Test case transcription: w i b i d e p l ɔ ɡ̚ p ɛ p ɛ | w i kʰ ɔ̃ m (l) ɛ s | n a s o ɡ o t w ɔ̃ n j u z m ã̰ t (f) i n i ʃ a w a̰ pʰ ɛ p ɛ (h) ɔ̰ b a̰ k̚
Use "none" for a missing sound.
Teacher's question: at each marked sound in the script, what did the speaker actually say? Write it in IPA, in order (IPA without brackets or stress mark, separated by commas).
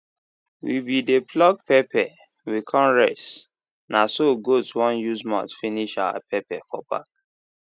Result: ɹ, f, f